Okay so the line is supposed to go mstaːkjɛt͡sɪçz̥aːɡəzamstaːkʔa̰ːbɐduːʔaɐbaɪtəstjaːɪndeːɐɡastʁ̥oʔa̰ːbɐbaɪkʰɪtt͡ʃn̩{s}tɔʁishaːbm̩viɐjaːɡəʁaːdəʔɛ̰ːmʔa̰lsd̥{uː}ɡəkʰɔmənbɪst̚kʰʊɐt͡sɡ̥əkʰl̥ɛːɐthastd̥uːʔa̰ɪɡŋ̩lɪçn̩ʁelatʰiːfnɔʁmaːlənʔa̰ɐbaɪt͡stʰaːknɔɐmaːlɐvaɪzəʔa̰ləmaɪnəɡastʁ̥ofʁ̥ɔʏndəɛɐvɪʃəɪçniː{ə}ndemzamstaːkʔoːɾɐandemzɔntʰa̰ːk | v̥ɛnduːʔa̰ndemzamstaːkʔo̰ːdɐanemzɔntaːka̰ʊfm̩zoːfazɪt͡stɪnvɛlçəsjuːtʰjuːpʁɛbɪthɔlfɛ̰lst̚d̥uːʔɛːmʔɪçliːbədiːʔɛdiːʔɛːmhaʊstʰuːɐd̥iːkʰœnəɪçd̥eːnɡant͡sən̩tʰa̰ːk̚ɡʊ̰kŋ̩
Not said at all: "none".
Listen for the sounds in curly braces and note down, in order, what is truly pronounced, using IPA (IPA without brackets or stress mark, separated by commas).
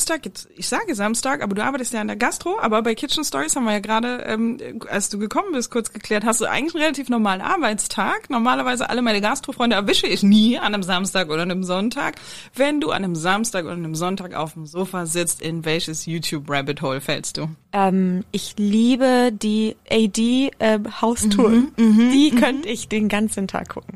s, uː, a